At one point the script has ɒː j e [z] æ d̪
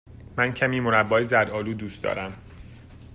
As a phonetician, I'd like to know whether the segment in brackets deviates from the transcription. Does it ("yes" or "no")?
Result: no